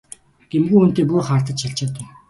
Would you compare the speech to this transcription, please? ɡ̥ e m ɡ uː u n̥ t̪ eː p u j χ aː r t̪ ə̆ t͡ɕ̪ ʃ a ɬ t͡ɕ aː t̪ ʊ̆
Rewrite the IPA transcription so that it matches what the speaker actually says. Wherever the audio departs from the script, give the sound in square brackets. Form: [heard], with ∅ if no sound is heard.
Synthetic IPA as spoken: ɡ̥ e m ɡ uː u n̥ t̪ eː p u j χ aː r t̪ ə̆ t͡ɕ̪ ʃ a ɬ t͡ɕ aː t̪ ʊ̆